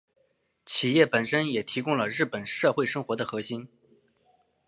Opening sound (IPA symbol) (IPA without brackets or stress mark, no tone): t͡ɕʰ